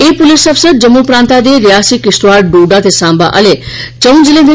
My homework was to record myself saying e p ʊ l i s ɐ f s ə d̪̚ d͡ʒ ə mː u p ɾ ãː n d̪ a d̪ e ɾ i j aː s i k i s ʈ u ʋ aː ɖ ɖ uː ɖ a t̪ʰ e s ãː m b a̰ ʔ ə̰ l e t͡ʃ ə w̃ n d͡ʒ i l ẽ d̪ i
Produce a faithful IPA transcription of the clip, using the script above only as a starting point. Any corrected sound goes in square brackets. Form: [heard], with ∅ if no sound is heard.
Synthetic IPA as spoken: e p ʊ l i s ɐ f s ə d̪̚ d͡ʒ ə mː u p ɾ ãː n [t̪] a d̪ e ɾ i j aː s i k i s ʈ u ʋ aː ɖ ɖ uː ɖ a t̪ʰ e s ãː m b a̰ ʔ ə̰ l e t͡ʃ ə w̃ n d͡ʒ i l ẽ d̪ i

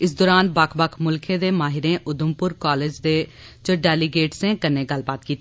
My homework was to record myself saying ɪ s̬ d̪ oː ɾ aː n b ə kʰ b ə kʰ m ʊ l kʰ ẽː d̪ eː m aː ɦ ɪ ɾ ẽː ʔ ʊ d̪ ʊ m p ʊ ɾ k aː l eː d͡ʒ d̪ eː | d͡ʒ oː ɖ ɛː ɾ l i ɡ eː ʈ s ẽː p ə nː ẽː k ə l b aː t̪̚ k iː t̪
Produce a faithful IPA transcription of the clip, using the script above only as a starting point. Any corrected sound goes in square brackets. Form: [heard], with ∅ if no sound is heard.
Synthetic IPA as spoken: ɪ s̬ d̪ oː ɾ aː n b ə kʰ b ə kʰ m ʊ l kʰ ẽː d̪ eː m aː ɦ ɪ ɾ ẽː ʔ ʊ d̪ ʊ m p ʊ ɾ k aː l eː d͡ʒ d̪ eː | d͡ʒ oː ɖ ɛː [∅] l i ɡ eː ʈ s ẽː [k] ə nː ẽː [ɡ] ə l b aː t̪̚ k iː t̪

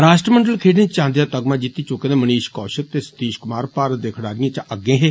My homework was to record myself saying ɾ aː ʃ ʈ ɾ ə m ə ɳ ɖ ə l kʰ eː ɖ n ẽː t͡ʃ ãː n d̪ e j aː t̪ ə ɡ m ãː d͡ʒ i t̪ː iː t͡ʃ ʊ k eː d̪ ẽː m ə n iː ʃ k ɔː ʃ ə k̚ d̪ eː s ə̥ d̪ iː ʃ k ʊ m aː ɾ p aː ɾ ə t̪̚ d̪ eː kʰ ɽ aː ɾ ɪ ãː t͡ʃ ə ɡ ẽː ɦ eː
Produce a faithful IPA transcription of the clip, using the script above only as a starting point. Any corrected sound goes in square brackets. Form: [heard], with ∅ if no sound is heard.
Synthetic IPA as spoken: ɾ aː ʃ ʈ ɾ ə m ə ɳ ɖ ə l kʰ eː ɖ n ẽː t͡ʃ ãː n d̪ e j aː t̪ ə ɡ m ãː d͡ʒ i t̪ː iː t͡ʃ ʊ k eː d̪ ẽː m ə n iː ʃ k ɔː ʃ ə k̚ [t̪] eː s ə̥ [t̪] iː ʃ k ʊ m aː ɾ p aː ɾ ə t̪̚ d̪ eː kʰ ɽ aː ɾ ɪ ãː t͡ʃ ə ɡ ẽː ɦ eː

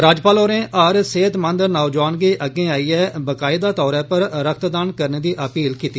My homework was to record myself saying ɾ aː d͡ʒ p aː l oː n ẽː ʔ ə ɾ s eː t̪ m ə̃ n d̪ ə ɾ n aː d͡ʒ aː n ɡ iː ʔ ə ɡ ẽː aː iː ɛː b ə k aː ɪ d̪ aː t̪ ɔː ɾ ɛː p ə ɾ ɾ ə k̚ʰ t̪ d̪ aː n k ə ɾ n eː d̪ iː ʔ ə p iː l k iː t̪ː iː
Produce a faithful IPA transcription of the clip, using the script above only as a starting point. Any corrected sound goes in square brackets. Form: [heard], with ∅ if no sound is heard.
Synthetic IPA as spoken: ɾ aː d͡ʒ p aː l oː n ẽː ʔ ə ɾ s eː t̪ m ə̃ n d̪ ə ɾ n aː d͡ʒ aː n ɡ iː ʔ ə ɡ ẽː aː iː ɛː b ə k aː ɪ d̪ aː t̪ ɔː ɾ ɛː p ə ɾ ɾ ə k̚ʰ t̪ d̪ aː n k ə ɾ n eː d̪ iː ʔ ə p iː l k iː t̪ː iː

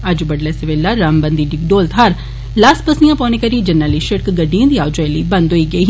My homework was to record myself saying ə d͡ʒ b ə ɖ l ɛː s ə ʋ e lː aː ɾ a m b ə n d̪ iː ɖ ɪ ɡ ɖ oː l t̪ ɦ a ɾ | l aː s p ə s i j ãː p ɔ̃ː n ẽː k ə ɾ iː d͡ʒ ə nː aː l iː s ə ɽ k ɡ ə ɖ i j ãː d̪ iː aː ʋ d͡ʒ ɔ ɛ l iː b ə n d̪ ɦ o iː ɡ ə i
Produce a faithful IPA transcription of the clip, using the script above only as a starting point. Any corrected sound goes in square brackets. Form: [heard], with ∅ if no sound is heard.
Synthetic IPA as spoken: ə d͡ʒ b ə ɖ l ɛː s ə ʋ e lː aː ɾ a m b ə n d̪ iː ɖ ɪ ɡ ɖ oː l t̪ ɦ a ɾ | l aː s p ə s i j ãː p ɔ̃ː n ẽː k ə ɾ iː d͡ʒ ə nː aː l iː [ʃ] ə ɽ k ɡ ə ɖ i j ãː d̪ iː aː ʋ d͡ʒ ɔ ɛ l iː b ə n d̪ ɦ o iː ɡ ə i

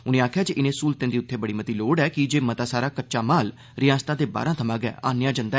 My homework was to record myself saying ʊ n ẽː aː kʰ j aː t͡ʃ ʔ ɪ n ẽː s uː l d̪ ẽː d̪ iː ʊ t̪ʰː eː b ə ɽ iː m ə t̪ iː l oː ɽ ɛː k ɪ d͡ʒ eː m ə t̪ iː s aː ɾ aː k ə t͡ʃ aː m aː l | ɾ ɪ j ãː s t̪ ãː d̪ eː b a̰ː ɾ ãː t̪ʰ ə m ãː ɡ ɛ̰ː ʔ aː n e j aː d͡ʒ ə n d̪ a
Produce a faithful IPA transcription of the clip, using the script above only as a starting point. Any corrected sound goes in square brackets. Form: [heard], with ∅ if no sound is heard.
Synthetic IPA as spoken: ʊ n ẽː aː kʰ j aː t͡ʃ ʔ ɪ n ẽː s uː l [t̪] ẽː d̪ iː ʊ t̪ʰː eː b ə ɽ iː m ə t̪ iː l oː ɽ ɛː k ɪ d͡ʒ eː m ə t̪ [aː] s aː ɾ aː k ə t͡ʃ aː m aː l | ɾ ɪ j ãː s t̪ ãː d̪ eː b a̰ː ɾ ãː t̪ʰ ə m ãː ɡ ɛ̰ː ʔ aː n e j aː d͡ʒ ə n d̪ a

